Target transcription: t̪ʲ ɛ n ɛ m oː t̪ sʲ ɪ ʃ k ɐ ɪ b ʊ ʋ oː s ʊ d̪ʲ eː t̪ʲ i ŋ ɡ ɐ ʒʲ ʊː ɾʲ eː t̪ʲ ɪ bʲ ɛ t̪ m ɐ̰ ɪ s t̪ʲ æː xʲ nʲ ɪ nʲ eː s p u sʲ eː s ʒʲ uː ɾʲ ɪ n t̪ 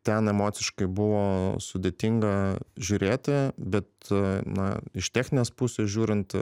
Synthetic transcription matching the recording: t̪ʲ ɛ n ɛ m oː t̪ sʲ ɪ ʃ k ɐ ɪ b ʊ ʋ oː s ʊ d̪ʲ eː t̪ʲ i ŋ ɡ ɐ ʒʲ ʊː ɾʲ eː t̪ʲ ɪ bʲ ɛ t̪ n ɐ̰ ɪ ʃ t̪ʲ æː xʲ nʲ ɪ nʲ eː s p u sʲ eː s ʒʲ uː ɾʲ ɪ n t̪